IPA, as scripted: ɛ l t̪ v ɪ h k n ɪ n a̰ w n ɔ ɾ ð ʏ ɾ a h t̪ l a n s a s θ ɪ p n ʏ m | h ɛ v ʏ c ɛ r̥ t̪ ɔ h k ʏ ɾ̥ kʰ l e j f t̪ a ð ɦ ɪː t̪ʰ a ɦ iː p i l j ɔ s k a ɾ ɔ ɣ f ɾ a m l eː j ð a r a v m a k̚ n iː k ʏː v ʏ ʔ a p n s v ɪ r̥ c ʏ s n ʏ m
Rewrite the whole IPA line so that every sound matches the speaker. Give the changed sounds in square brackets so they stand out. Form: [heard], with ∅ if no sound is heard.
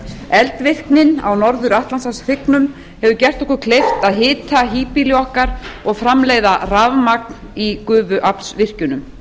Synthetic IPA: ɛ l t̪ v ɪ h k n ɪ n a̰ w n ɔ ɾ ð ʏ ɾ a h t̪ l a n s a s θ ɪ [k] n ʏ m | h ɛ v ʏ c ɛ r̥ t̪ ɔ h k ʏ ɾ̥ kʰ l e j f t̪ a ð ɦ ɪː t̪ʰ a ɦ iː p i l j ɔ [h] k a ɾ ɔ ɣ f ɾ a m l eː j ð a r a v m a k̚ n [i] k ʏː v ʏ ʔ a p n s v ɪ r̥ c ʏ [∅] n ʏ m

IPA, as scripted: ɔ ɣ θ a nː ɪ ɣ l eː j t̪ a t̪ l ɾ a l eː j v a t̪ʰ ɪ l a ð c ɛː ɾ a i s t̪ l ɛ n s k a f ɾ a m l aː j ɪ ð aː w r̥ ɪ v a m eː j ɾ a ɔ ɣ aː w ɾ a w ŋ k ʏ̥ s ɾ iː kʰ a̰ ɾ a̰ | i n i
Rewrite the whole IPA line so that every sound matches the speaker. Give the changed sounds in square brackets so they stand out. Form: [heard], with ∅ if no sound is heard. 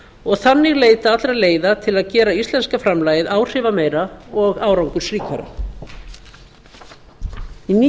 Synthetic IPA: ɔ ɣ θ a nː ɪ ɣ l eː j t̪ a t̪ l ɾ a l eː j [ð] a t̪ʰ ɪ l a ð c ɛː ɾ a i s t̪ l ɛ n s k a f ɾ a m l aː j ɪ ð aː w r̥ ɪ v a m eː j ɾ a ɔ ɣ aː w ɾ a w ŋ k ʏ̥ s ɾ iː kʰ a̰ ɾ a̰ | i n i

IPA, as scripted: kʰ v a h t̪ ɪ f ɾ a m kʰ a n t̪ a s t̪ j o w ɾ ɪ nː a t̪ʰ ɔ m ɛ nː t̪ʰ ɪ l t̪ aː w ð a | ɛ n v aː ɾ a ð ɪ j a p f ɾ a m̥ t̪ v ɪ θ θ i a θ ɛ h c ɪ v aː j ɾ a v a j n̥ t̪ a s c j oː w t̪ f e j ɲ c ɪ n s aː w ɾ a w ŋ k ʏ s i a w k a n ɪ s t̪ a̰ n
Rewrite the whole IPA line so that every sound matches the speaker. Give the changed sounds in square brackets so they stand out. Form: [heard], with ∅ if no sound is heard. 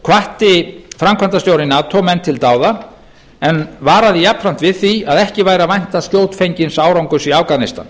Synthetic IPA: kʰ v a h t̪ ɪ f ɾ a m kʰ a n t̪ a s t̪ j o w ɾ ɪ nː a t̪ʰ ɔ m ɛ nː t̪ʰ ɪ l t̪ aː w ð a | ɛ n v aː ɾ a ð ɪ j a p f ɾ a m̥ t̪ v ɪ [ð] θ i a [ð] ɛ h c ɪ v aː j ɾ a v a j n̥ t̪ a s c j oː w t̪ f e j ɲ c ɪ n s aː w ɾ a w ŋ k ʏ s i a w k a n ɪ s t̪ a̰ n

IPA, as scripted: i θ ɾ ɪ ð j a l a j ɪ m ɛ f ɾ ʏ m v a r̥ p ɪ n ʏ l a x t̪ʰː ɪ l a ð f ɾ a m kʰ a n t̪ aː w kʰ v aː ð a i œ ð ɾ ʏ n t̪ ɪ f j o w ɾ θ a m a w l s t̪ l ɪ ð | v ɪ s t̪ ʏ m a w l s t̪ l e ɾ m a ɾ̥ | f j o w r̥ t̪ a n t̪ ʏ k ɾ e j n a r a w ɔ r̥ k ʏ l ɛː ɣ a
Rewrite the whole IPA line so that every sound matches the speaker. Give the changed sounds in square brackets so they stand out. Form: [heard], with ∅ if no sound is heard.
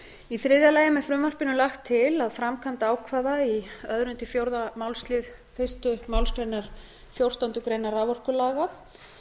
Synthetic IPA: i θ ɾ ɪ ð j a l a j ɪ m ɛ f ɾ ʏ m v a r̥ p ɪ n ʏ l a x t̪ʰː ɪ l a ð f ɾ a m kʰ a n t̪ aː w kʰ v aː ð a i œ ð ɾ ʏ n t̪ ɪ f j o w ɾ [ð] a m a w l s t̪ l ɪ ð | [f] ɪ s t̪ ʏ m a w l s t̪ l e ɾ [n] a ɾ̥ | f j o w r̥ t̪ a n t̪ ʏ k ɾ e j n a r a [v] ɔ r̥ k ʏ l [aː] ɣ a

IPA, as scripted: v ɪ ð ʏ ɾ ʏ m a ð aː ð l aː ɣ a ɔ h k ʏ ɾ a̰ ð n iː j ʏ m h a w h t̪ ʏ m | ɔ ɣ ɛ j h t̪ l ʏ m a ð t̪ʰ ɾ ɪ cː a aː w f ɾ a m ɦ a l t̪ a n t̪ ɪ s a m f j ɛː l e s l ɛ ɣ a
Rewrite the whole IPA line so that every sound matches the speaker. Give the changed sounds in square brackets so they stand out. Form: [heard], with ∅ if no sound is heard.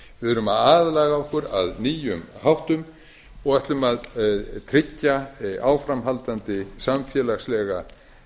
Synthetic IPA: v ɪ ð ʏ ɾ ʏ m a ð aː ð l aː ɣ a ɔ h k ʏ ɾ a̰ ð n iː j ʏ m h a w h t̪ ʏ m | ɔ ɣ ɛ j h t̪ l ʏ m a ð t̪ʰ ɾ ɪ cː a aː w f ɾ a m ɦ a l t̪ a n t̪ ɪ s a m f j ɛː l [a] s l ɛ ɣ a

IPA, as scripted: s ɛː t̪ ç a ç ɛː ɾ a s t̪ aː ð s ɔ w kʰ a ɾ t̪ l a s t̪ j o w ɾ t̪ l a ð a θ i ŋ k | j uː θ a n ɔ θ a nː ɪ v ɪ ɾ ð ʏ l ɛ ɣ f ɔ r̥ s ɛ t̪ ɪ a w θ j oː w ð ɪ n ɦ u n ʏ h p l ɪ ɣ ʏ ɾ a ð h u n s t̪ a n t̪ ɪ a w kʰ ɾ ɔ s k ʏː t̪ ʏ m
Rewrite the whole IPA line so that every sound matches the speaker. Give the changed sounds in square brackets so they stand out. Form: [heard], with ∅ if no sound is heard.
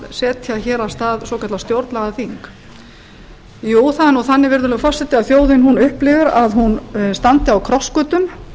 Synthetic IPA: s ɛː t̪ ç a ç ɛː ɾ a s t̪ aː ð s ɔ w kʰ a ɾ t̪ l a s t̪ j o w ɾ t̪ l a [ɣ] a θ i ŋ k | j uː θ a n ɔ θ a nː ɪ v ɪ ɾ ð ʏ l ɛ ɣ f ɔ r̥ s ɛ t̪ ɪ a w θ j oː w ð ɪ n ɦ u n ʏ h p l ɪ [v] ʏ ɾ a ð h u n s t̪ a n t̪ ɪ a w kʰ ɾ ɔ s k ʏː t̪ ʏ m

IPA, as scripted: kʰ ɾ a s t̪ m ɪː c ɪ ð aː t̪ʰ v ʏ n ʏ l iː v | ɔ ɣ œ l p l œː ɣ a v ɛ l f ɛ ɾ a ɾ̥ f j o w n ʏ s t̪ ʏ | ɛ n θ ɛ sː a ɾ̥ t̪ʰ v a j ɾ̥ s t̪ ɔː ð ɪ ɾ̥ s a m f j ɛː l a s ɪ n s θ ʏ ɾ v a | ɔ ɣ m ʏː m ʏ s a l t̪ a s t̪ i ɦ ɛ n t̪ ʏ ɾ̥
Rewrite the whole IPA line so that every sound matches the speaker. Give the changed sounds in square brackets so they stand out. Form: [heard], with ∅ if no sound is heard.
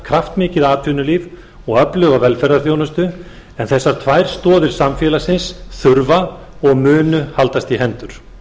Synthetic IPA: kʰ ɾ a [f] t̪ m ɪː c ɪ ð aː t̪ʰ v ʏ n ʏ l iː v | ɔ ɣ œ [∅] p l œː ɣ a v ɛ l f ɛ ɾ a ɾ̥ [θ] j o w n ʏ s t̪ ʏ | ɛ n θ ɛ sː a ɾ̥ t̪ʰ v a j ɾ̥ s t̪ ɔː ð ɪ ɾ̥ s a m f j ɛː l a s ɪ n s θ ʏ ɾ v a | ɔ ɣ m ʏː [n] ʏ [h] a l t̪ a s t̪ i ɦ ɛ n t̪ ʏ ɾ̥

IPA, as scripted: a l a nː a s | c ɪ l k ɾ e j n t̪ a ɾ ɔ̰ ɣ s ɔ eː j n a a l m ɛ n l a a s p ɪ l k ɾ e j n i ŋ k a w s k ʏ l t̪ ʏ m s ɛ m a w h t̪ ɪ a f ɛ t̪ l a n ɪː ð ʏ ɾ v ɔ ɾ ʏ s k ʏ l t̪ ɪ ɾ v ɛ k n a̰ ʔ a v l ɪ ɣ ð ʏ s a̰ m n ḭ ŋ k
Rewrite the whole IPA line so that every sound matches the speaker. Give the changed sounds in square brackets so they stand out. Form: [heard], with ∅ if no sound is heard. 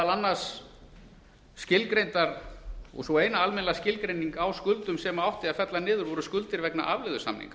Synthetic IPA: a l a nː a s | c ɪ l k ɾ e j n t̪ a ɾ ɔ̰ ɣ s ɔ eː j n a a l m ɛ n l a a s [c] ɪ l k ɾ e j n i ŋ k a w s k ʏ l t̪ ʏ m s ɛ m a w h t̪ ɪ a f ɛ t̪ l a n ɪː ð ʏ ɾ v ɔ ɾ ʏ s k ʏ l t̪ ɪ ɾ v ɛ k n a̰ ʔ a v l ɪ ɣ ð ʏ s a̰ m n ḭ ŋ k

